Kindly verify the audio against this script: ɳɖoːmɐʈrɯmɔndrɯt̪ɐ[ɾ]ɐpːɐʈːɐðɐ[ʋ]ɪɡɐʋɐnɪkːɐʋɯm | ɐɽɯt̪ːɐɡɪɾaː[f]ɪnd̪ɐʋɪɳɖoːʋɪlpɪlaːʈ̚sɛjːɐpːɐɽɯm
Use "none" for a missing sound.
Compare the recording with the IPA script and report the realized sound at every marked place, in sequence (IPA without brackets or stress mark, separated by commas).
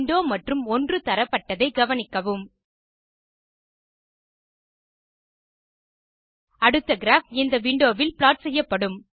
ɾ, none, f